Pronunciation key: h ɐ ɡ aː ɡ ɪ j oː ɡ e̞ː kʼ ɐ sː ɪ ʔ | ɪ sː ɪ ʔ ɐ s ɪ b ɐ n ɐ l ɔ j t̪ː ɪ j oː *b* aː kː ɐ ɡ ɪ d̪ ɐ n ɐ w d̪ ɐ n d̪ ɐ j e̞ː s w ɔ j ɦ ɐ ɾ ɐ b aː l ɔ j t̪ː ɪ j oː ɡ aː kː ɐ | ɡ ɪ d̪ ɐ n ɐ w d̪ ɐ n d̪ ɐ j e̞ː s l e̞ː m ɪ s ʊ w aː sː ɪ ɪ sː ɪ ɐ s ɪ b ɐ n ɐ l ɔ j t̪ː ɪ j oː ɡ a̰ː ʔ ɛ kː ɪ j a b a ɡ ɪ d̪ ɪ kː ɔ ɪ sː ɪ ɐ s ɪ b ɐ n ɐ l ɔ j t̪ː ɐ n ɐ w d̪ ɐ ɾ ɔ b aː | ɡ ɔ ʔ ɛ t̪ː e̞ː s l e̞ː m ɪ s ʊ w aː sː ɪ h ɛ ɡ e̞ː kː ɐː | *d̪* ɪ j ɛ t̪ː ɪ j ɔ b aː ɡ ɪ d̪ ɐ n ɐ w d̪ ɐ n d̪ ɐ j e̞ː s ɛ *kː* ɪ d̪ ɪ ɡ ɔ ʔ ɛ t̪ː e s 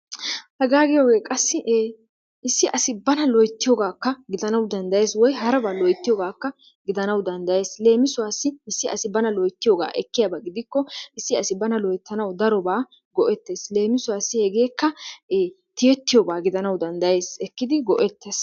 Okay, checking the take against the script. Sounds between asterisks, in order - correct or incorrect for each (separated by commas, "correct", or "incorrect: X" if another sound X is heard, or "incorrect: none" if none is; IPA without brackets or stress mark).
incorrect: ɡ, incorrect: t̪, correct